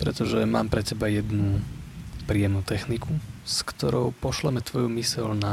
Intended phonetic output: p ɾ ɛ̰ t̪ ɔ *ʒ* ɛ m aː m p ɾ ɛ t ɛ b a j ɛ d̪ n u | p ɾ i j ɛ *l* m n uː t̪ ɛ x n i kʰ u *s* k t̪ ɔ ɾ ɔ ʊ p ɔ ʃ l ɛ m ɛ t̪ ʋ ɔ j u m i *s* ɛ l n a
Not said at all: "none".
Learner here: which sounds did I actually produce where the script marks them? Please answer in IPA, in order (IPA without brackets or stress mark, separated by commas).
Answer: ʒ, none, s, s